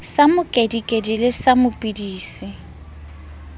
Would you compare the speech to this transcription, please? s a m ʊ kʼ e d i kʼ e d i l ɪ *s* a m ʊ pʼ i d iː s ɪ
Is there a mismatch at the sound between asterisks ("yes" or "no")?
no